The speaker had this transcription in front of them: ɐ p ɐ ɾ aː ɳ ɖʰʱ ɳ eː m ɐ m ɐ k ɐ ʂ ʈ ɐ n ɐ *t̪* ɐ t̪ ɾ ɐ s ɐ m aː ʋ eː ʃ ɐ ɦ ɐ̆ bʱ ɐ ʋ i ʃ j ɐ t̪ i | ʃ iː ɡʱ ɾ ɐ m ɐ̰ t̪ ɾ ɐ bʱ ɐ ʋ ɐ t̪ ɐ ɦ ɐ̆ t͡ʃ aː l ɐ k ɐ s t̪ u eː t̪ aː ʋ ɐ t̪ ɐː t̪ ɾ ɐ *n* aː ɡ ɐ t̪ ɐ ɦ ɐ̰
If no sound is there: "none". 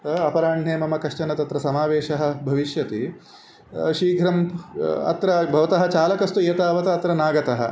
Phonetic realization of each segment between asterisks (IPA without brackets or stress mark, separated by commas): t̪, n